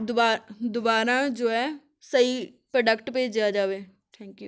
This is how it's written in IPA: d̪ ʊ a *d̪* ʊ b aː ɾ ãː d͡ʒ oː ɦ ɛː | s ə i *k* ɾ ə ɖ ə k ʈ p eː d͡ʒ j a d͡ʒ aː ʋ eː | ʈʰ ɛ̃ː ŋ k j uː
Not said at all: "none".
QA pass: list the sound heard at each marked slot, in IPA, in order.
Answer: d̪, p

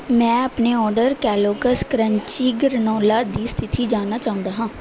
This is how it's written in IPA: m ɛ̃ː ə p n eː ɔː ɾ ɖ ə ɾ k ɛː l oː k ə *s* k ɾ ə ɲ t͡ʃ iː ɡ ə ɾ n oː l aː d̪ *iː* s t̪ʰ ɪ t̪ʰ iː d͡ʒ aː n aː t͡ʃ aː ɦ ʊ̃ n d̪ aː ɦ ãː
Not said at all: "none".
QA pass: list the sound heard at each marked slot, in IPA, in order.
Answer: s, iː

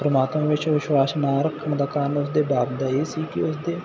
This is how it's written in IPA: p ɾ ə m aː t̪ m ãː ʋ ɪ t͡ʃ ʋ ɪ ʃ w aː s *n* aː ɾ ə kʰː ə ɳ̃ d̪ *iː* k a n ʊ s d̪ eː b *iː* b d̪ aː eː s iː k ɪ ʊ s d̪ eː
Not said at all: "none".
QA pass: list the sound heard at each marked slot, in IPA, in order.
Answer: n, aː, aː

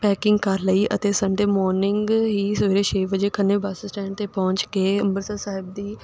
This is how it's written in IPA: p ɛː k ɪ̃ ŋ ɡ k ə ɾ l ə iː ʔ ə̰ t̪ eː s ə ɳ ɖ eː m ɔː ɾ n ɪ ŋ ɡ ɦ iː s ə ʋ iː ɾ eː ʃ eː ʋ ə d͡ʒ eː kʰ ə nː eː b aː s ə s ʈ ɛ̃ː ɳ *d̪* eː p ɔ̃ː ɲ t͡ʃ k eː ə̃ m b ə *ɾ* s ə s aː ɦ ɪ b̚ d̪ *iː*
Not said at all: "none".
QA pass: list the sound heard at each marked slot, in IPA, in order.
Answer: t̪, ɾ, iː

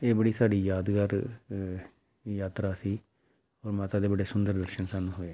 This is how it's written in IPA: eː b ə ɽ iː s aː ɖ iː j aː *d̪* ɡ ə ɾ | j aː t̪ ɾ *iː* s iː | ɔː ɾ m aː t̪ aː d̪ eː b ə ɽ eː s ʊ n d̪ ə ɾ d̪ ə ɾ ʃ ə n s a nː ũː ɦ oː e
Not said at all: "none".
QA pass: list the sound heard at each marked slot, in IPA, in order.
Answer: d̪, aː

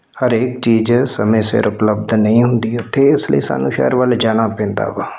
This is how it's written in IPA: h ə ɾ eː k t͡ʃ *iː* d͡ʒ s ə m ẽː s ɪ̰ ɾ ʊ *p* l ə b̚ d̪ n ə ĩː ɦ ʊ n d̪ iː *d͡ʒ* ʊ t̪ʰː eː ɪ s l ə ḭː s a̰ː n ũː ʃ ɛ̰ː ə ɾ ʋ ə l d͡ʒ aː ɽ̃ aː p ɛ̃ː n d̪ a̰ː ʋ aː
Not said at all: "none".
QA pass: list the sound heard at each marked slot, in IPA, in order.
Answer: iː, p, none

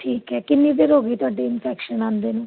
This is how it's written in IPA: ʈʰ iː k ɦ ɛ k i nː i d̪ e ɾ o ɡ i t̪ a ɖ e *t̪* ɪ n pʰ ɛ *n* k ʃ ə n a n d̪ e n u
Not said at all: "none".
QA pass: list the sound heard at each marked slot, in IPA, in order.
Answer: none, none

